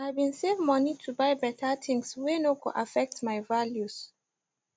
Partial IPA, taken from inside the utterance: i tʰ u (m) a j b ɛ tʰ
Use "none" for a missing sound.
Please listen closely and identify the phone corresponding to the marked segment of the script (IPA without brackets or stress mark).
b